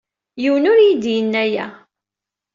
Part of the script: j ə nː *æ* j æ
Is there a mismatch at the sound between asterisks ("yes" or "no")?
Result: no